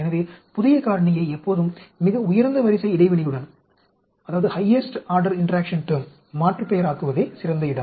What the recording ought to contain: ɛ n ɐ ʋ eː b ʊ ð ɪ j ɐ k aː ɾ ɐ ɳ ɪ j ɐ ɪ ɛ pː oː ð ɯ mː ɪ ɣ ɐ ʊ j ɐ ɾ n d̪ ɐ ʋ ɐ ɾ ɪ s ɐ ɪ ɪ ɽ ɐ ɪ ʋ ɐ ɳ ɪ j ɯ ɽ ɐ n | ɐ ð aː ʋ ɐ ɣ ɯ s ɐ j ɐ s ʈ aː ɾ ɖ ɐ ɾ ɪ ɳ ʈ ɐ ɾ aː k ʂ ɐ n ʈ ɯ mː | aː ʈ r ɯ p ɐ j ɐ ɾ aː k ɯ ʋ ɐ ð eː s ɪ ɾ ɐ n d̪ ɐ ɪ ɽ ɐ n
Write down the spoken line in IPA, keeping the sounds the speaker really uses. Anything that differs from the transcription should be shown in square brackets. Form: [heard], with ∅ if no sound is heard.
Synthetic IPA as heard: ɛ n ɐ ʋ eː [p] ʊ ð ɪ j ɐ k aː ɾ ɐ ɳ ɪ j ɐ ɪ ɛ pː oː ð ɯ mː ɪ ɣ ɐ ʊ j ɐ ɾ n d̪ ɐ ʋ ɐ ɾ ɪ s ɐ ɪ ɪ ɽ ɐ ɪ ʋ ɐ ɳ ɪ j ɯ ɽ ɐ n | ɐ ð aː ʋ ɐ [ð] ɯ [h] ɐ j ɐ s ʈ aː ɾ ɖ ɐ ɾ ɪ ɳ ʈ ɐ ɾ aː k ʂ ɐ n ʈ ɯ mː | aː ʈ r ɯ p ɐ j ɐ ɾ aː k ɯ ʋ ɐ ð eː s ɪ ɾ ɐ n d̪ ɐ ɪ ɽ ɐ [m]